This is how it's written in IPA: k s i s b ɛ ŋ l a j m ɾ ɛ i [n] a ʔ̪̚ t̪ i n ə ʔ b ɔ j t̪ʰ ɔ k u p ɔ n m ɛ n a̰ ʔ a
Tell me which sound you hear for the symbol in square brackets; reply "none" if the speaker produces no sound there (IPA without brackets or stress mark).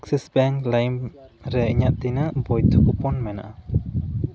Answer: ɲ